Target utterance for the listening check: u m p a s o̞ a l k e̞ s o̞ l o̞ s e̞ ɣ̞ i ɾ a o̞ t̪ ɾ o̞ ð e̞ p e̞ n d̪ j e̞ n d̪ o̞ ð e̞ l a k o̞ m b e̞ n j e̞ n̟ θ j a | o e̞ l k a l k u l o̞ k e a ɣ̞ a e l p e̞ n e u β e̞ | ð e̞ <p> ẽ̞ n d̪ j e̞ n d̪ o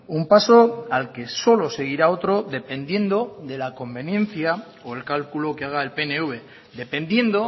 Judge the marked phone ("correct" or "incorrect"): correct